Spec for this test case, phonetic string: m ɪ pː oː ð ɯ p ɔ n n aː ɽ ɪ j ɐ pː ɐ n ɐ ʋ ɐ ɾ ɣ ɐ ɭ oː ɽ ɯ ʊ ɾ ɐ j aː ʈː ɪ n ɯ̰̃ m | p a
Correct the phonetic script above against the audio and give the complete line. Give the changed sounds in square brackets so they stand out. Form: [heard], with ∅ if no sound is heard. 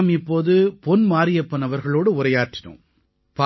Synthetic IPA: m ɪ pː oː ð ɯ p ɔ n [m] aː [ɾ] ɪ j ɐ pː ɐ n ɐ ʋ ɐ ɾ ɣ ɐ ɭ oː ɽ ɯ ʊ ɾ ɐ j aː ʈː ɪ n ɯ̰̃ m | p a